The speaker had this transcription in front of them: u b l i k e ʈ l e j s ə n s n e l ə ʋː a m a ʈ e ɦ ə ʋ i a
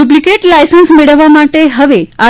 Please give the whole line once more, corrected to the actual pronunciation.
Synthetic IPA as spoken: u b l i k e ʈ l a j s ə n s m e ɭ ə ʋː a m a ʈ e ɦ ə ʋ e a